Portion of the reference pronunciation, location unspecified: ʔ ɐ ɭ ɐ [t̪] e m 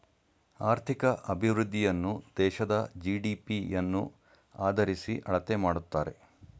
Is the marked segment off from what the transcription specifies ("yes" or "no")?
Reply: no